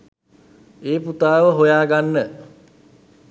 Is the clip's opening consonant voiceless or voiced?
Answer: voiceless